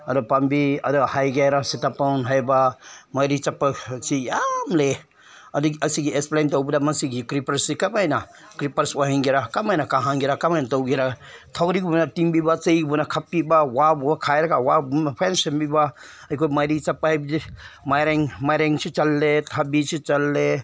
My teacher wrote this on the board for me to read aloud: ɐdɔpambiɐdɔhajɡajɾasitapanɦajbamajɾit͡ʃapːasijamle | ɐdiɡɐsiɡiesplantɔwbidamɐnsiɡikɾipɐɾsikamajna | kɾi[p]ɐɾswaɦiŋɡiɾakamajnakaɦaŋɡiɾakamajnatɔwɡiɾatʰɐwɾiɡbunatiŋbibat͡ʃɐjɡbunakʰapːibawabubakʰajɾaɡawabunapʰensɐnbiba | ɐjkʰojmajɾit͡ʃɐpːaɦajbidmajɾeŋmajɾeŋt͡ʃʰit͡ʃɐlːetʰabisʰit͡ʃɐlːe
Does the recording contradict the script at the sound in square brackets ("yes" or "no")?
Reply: no